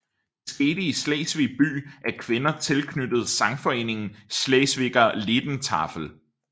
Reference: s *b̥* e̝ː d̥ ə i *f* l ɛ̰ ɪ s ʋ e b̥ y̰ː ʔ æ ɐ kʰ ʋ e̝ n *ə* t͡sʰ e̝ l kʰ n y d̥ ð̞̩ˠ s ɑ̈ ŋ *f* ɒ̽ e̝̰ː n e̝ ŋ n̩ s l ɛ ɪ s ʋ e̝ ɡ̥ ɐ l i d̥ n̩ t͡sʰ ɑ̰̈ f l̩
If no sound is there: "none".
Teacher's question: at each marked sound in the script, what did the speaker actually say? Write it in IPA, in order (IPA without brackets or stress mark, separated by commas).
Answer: ɡ̥, s, ɐ, f